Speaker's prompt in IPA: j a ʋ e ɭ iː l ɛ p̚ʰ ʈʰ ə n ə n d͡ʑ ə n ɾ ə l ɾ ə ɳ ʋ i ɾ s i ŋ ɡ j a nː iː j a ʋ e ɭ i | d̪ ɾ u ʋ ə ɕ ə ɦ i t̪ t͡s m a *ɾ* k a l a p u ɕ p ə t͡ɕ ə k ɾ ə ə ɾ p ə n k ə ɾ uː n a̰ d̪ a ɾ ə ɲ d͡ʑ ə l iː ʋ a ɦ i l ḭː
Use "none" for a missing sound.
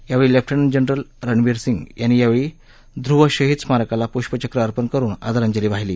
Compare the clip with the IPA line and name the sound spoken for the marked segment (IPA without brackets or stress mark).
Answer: ɾ